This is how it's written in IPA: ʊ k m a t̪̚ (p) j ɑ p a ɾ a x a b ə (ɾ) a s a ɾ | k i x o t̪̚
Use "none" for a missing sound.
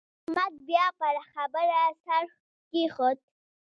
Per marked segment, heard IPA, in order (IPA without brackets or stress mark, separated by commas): b, ɾ